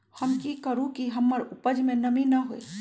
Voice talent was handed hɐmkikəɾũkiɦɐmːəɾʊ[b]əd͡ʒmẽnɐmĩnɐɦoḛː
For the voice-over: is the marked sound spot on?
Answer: no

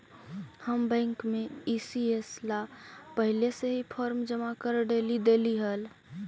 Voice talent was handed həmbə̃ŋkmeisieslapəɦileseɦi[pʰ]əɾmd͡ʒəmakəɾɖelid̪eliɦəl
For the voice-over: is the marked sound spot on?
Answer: yes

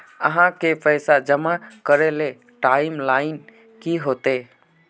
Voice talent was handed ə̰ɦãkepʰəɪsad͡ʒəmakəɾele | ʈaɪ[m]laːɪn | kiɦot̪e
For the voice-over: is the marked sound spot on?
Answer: yes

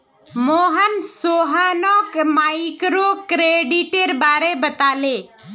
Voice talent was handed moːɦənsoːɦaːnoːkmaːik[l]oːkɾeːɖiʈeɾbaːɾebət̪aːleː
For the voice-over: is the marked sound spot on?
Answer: no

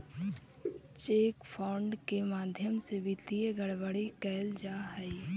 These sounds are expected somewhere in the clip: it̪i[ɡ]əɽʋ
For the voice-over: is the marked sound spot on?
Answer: yes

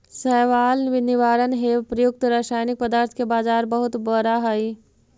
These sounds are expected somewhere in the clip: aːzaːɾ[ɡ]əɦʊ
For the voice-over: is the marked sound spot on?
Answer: no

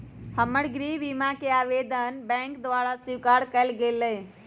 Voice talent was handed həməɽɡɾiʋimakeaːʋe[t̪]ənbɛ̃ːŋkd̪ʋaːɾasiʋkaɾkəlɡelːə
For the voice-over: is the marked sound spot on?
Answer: no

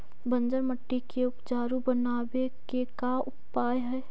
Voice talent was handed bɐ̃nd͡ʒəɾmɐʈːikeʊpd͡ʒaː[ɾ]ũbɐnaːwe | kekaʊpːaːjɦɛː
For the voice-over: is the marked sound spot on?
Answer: yes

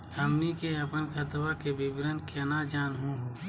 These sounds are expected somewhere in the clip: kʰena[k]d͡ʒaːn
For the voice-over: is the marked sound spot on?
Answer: no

